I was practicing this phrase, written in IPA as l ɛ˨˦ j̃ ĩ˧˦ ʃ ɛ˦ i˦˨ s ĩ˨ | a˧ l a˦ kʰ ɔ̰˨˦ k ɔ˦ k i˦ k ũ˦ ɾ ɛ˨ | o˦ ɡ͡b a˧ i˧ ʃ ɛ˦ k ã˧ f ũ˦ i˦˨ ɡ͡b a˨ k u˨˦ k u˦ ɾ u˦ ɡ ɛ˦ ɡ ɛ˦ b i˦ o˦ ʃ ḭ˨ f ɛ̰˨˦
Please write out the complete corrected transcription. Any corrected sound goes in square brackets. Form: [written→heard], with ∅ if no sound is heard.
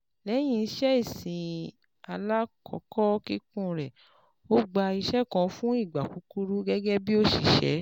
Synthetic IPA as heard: l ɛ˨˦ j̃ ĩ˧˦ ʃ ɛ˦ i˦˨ s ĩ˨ | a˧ l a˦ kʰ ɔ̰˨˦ k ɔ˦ k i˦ k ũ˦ ɾ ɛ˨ | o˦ ɡ͡b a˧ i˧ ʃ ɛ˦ k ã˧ f ũ˦ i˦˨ ɡ͡b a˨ k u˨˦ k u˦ ɾ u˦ ɡ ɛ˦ ɡ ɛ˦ b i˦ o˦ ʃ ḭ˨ [f→ʃ] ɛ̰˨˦